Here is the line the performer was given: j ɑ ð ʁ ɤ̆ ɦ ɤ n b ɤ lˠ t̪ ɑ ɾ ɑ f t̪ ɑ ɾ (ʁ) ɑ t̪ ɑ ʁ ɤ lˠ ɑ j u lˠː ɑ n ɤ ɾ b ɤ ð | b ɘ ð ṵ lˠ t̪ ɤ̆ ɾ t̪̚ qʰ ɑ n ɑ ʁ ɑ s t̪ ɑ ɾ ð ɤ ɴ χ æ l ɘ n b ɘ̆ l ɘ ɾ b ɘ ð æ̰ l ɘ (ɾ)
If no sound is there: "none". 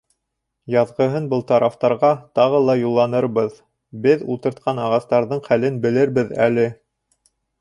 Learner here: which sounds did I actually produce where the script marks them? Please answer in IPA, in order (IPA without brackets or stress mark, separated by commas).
ʁ, none